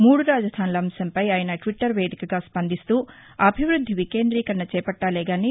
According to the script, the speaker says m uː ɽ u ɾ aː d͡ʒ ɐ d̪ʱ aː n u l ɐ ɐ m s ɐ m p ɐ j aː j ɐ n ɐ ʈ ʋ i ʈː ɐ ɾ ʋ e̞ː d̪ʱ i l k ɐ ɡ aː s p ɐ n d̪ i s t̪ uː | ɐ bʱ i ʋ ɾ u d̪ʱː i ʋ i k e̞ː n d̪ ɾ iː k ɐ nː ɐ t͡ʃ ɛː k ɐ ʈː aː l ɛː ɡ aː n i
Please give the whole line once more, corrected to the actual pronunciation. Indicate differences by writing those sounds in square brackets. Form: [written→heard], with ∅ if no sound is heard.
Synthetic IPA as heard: m uː ɽ u ɾ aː d͡ʒ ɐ d̪ʱ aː n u l ɐ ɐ m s ɐ m p ɐ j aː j ɐ n ɐ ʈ ʋ i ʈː ɐ ɾ ʋ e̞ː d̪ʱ i [l→∅] k ɐ ɡ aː s p ɐ n d̪ i s t̪ uː | ɐ bʱ i ʋ ɾ u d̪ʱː i ʋ i k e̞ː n d̪ ɾ iː k ɐ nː ɐ t͡ʃ ɛː [k→p] ɐ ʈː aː l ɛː ɡ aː n i